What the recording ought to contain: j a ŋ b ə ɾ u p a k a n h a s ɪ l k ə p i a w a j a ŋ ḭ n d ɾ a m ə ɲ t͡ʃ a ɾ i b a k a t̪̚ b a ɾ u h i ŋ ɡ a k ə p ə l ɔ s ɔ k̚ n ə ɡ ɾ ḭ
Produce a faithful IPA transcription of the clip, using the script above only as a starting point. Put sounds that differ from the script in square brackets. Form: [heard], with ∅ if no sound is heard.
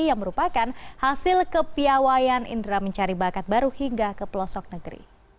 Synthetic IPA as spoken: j a ŋ [m] ə ɾ u p a k a n h a s ɪ l k ə p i a w a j a [n] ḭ n d ɾ a m ə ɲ t͡ʃ a ɾ i b a k a t̪̚ b a ɾ u h i ŋ ɡ a k ə p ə l ɔ s ɔ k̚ n ə ɡ ɾ ḭ